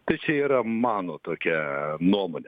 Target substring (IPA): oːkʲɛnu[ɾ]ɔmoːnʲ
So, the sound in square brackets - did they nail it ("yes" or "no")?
no